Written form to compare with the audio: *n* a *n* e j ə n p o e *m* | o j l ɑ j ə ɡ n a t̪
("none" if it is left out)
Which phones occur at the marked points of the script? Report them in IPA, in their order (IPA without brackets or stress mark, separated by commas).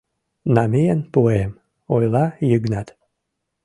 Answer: n, m, m